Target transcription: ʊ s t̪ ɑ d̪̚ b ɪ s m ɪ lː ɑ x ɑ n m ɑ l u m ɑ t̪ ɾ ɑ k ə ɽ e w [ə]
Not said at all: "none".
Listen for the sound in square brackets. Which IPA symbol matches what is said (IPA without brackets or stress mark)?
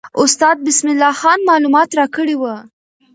ə